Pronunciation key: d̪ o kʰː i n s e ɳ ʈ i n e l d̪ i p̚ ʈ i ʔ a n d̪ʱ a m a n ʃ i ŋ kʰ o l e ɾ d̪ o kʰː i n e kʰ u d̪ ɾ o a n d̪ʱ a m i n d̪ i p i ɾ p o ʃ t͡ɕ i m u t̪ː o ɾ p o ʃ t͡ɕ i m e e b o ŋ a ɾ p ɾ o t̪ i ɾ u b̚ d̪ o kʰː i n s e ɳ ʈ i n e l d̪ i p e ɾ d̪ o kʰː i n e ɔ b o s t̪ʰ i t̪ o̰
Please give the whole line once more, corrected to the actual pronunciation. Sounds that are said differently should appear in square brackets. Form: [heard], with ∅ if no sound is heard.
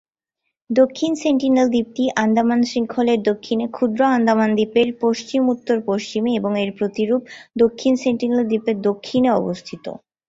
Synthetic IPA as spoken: d̪ o kʰː i n s e ɳ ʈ i n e l d̪ i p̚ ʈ i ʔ a n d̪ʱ a m a n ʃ i ŋ kʰ o l e ɾ d̪ o kʰː i n e kʰ u d̪ ɾ o a n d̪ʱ a m [a] n d̪ i p [e] ɾ p o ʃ t͡ɕ i m u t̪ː o ɾ p o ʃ t͡ɕ i m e e b o ŋ [e] ɾ p ɾ o t̪ i ɾ u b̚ d̪ o kʰː i n s e ɳ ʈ i n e l d̪ i p e ɾ d̪ o kʰː i n e ɔ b o s t̪ʰ i t̪ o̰